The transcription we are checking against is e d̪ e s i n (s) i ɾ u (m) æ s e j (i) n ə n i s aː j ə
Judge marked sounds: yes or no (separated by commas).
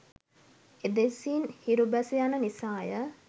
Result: no, no, no